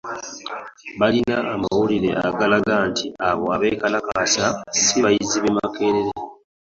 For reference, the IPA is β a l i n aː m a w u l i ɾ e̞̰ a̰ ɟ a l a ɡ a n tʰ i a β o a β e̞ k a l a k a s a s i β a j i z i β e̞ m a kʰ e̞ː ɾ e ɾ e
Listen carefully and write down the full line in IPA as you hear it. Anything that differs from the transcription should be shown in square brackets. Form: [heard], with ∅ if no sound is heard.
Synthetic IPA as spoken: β a l i n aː m a w u l i ɾ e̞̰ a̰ [ɡ] a l a ɡ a n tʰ i a β o a β e̞ k a l a k a s a s i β a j i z i β e̞ m a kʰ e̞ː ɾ e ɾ e